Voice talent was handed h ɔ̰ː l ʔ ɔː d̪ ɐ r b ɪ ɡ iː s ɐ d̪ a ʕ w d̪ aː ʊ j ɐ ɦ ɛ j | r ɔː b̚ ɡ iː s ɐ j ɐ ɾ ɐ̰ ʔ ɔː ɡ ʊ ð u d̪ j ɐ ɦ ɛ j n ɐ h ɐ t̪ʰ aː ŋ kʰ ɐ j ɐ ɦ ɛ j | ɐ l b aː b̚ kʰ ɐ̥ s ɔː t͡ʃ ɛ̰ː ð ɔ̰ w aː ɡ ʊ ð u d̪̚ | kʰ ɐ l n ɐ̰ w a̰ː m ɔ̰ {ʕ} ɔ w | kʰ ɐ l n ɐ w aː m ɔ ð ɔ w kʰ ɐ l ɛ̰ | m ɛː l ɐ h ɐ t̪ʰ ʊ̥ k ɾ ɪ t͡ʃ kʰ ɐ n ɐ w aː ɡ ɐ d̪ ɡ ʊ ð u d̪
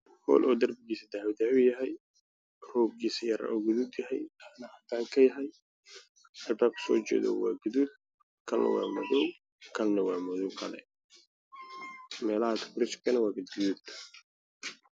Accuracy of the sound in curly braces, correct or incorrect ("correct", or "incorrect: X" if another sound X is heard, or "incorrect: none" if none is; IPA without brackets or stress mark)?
incorrect: ð